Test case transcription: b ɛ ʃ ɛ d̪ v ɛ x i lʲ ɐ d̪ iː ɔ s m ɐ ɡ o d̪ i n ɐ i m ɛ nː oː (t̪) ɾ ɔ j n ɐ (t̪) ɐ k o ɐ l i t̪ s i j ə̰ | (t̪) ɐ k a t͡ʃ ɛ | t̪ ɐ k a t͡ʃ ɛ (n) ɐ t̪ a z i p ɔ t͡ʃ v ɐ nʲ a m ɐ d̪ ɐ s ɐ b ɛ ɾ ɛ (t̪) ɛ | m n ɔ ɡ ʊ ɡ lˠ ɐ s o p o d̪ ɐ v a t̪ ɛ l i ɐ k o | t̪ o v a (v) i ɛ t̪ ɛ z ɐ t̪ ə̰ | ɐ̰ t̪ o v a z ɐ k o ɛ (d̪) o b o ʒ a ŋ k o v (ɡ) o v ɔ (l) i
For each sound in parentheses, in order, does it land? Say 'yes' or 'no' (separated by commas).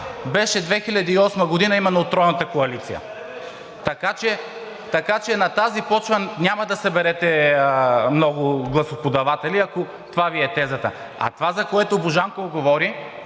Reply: yes, yes, yes, yes, yes, yes, no, yes, no